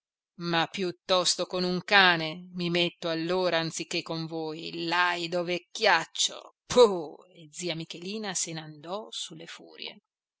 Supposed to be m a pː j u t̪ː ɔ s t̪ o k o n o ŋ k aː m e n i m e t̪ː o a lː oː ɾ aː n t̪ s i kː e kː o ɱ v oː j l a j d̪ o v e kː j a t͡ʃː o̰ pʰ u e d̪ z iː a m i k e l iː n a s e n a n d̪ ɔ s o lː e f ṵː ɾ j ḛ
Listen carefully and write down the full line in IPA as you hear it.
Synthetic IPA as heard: m a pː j u t̪ː ɔ s t̪ o k o n u ŋ k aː n e m i m e t̪ː o a lː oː ɾ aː n t̪ s i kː e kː o ɱ v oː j l a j d̪ o v e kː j a t͡ʃː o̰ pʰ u e d̪ z iː a m i k e l iː n a s e n a n d̪ ɔ s u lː e f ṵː ɾ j ḛ